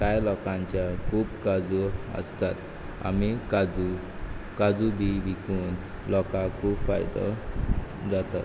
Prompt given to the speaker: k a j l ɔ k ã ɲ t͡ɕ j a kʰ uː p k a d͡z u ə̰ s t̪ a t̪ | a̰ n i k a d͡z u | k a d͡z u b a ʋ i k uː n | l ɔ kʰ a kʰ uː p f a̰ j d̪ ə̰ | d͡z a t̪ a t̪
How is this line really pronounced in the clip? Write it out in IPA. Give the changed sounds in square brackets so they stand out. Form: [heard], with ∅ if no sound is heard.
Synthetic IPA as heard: k a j l ɔ k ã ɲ t͡ɕ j a kʰ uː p k a d͡z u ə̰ s t̪ a t̪ | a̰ [m] i k a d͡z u | k a d͡z u b [i] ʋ i k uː n | l ɔ [k] a kʰ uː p f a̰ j d̪ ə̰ | d͡z a t̪ a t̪